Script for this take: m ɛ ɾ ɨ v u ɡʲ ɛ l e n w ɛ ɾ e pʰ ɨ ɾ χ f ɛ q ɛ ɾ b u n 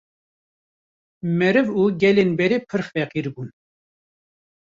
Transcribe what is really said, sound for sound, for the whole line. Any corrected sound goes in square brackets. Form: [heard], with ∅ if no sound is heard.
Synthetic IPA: m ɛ ɾ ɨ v u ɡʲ ɛ l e n [b] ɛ ɾ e pʰ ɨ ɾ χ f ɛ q [i] ɾ b u n